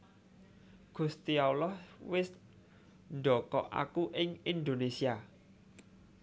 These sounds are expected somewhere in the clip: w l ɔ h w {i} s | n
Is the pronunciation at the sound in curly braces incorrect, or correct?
incorrect